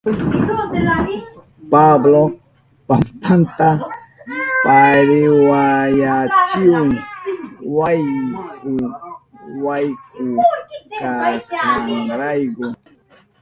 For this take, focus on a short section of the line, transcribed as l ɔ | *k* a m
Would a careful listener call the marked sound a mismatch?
yes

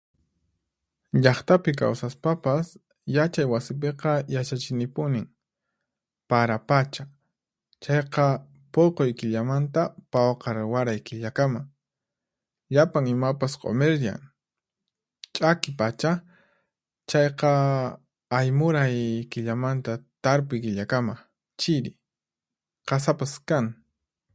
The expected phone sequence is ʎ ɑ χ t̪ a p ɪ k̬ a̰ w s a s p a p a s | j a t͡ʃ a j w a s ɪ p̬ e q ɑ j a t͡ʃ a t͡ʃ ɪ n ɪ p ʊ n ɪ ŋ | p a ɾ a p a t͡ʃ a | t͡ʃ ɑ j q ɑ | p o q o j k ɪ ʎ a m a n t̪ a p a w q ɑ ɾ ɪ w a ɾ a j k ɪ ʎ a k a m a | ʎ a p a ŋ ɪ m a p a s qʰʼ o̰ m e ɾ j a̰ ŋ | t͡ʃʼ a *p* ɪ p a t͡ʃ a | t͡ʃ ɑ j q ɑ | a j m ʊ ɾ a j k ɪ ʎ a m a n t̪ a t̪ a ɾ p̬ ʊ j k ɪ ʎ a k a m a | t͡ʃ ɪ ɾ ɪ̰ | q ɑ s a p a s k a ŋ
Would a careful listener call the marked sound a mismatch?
yes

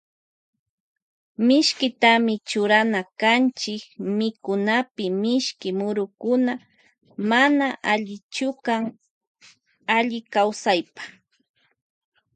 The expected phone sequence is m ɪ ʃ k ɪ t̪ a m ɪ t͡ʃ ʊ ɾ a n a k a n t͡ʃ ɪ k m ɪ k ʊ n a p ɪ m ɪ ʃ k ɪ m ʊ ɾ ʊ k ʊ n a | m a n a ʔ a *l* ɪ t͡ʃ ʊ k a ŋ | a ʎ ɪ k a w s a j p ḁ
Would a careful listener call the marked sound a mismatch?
yes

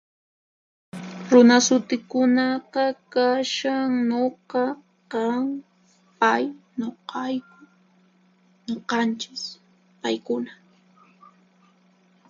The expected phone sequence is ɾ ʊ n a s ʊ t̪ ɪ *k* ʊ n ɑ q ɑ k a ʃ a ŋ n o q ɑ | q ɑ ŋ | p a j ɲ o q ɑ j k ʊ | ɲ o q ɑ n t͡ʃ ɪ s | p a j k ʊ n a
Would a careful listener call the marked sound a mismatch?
no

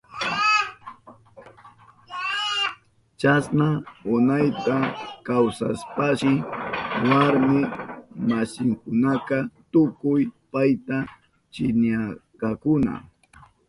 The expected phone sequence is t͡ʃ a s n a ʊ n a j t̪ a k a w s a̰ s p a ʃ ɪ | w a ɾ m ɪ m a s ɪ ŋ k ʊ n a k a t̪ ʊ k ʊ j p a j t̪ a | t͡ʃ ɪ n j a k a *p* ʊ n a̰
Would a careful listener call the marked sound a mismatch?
yes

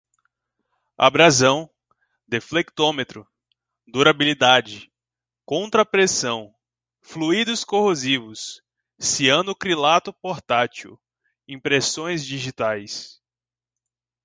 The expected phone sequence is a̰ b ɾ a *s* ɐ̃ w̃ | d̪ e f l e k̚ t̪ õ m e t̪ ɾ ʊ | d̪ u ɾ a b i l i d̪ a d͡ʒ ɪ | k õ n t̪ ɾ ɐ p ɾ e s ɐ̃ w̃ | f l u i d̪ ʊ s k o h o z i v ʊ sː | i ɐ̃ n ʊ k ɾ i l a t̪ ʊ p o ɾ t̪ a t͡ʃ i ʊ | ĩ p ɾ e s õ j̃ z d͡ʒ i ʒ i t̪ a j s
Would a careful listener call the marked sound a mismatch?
yes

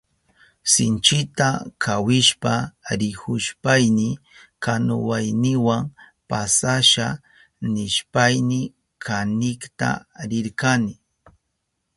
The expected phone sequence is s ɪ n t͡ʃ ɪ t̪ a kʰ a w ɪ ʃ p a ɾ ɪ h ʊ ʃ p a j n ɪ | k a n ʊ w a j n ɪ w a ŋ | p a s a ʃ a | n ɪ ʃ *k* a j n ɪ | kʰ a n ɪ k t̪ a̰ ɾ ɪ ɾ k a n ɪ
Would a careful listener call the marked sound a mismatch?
yes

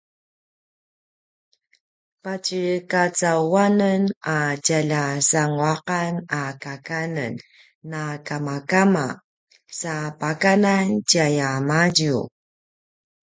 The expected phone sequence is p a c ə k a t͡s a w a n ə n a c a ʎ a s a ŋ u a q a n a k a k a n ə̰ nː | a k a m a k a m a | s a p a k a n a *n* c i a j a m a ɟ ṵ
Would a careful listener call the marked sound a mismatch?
no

